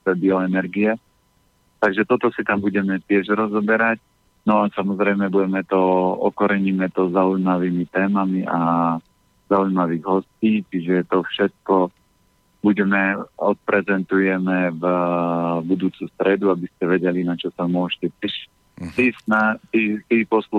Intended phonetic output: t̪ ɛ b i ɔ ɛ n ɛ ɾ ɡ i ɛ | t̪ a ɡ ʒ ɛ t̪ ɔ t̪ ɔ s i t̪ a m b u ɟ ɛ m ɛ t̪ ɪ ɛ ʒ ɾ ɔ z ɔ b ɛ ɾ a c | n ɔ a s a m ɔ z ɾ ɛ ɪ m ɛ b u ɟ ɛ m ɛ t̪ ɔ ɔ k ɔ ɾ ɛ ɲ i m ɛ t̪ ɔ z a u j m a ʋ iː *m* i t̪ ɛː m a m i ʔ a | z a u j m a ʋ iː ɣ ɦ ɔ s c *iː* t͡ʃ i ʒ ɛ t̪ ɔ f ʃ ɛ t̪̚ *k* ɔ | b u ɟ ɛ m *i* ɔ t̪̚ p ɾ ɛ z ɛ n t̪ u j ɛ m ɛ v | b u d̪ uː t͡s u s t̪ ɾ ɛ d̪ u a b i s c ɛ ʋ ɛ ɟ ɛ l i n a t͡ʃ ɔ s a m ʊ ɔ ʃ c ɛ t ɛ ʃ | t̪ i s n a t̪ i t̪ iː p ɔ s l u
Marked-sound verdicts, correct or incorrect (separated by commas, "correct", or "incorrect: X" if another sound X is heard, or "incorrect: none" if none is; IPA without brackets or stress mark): correct, correct, correct, incorrect: ɛ